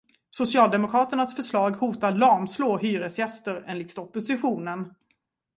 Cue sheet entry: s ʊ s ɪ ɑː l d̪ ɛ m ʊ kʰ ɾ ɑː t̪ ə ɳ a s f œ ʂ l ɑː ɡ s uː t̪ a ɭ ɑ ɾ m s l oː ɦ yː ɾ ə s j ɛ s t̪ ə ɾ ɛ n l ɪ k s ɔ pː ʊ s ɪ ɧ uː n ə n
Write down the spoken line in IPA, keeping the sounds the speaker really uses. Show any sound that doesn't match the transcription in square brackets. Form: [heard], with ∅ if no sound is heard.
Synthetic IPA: s ʊ s ɪ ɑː l d̪ ɛ m ʊ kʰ ɾ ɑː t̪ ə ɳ a s f œ ʂ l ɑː ɡ [h] uː t̪ a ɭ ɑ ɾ m s l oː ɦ yː ɾ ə s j ɛ s t̪ ə ɾ ɛ n l ɪ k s ɔ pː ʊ s ɪ ɧ uː n ə n